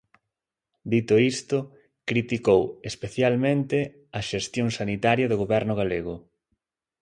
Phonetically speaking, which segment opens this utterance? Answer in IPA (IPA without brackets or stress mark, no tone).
d̪